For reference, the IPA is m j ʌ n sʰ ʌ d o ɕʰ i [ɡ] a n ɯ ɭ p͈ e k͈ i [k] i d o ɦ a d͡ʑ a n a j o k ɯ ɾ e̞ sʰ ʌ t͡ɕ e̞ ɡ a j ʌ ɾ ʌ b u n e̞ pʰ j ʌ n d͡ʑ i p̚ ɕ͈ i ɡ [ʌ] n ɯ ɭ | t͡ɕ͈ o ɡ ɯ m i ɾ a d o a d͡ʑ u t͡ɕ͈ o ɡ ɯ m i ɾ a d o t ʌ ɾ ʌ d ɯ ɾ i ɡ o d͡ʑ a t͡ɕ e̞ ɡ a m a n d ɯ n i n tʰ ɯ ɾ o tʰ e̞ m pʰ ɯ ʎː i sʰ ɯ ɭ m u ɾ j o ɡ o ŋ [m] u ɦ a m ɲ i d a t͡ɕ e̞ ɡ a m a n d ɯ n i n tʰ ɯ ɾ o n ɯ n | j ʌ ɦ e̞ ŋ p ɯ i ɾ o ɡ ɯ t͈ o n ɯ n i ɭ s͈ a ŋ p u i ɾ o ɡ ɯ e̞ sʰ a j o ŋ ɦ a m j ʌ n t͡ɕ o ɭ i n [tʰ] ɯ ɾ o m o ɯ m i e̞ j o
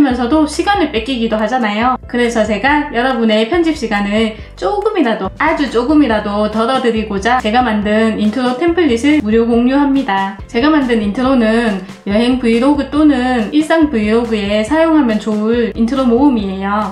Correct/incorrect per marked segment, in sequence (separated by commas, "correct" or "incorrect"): correct, incorrect, incorrect, incorrect, correct